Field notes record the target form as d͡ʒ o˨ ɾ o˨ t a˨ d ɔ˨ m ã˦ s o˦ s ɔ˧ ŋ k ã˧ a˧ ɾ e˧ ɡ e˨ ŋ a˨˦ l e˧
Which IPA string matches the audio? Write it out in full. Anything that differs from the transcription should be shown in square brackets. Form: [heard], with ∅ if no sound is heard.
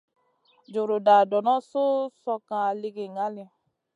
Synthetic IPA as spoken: d͡ʒ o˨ ɾ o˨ [d] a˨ d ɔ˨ [n] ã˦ s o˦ s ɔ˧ [∅] k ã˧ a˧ [l] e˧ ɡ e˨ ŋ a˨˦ l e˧